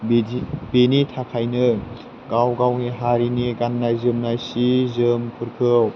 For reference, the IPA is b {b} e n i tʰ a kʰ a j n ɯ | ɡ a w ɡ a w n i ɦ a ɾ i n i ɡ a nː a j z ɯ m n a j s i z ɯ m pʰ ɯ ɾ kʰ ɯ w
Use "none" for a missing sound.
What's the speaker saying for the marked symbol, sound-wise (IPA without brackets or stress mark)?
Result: b